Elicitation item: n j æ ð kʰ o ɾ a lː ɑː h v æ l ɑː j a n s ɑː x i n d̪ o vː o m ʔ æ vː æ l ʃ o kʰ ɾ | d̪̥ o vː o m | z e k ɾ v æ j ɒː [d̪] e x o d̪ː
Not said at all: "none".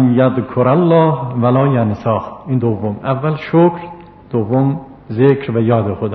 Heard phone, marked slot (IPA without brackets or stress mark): d̪